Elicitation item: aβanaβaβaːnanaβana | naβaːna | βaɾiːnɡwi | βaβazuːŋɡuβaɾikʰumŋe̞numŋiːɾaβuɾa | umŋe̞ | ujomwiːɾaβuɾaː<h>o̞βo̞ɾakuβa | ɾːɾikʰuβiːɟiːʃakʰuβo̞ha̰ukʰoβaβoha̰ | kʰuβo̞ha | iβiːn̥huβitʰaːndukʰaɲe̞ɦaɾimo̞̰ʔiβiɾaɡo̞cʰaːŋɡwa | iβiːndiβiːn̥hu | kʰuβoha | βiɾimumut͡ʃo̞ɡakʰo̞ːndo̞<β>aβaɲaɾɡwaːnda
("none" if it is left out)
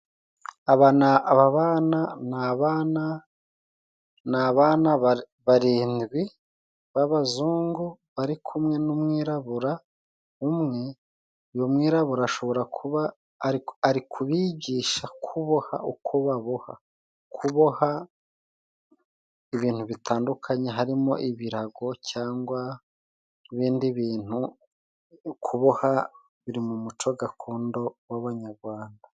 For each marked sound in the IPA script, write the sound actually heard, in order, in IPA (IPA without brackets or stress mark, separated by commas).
ʃ, w